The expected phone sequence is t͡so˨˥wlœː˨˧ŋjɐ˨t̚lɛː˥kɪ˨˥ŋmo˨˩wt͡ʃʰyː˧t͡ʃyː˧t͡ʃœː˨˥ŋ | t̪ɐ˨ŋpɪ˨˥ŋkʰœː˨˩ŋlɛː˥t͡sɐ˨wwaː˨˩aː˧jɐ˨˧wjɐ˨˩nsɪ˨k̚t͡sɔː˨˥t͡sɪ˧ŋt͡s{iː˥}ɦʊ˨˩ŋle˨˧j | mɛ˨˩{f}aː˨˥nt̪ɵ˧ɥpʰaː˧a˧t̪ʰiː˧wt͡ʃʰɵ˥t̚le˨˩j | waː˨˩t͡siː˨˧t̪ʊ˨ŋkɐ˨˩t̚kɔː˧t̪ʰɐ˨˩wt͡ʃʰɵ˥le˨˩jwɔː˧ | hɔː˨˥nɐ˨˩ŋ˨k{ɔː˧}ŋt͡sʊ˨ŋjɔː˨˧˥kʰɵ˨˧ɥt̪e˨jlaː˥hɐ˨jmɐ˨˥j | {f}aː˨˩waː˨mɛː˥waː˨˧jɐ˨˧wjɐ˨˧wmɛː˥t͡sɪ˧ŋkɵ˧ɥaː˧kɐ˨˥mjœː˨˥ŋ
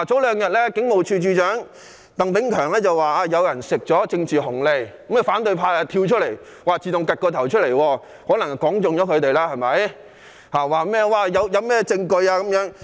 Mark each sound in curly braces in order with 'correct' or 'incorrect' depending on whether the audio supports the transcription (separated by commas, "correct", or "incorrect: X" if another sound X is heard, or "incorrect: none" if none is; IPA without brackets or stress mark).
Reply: incorrect: iː˨, correct, incorrect: ɔː˨˥, incorrect: h